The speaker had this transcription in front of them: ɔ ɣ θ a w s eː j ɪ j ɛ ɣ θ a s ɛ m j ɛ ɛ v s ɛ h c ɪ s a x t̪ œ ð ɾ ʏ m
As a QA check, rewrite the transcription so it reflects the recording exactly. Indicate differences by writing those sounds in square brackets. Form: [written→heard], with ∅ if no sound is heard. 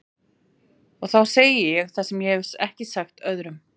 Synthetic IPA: ɔ ɣ θ a w s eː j ɪ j ɛ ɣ θ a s ɛ m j ɛ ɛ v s ɛ h c ɪ s a x t̪ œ ð ɾ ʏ m